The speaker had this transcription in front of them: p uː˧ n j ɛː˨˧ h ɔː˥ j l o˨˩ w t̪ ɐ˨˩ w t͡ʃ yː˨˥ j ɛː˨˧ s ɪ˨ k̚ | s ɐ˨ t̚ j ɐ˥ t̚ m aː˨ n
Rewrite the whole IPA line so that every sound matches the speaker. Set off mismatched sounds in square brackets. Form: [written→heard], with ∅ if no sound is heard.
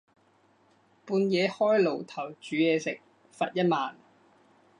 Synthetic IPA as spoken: p uː˧ n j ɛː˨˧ h ɔː˥ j l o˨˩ w [t̪→t̪ʰ] ɐ˨˩ w t͡ʃ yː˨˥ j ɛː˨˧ s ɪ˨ k̚ | [s→f] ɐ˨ t̚ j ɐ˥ t̚ m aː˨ n